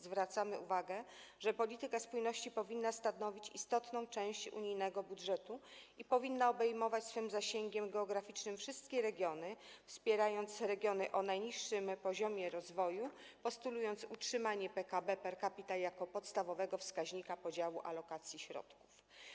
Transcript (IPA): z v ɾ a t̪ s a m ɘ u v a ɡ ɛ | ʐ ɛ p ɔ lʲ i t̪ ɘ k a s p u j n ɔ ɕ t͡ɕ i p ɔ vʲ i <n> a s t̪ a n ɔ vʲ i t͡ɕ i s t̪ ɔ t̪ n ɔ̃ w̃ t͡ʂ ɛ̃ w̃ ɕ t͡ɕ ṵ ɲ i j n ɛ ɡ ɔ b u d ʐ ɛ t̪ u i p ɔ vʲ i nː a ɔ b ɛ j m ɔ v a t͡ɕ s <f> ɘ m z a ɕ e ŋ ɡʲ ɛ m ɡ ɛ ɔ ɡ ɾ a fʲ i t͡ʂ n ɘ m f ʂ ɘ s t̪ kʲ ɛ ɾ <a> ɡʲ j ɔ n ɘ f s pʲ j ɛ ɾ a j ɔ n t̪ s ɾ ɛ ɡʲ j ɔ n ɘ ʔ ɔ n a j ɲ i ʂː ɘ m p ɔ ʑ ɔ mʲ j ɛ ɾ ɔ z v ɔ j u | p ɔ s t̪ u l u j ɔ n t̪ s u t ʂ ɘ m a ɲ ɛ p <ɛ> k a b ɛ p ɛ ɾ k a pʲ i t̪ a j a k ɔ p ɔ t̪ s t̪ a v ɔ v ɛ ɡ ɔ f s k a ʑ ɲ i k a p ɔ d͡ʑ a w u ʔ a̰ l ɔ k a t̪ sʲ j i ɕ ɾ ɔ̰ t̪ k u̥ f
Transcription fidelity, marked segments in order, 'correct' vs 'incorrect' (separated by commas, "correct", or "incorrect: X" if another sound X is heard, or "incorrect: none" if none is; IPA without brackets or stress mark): incorrect: nː, correct, incorrect: ɛ, correct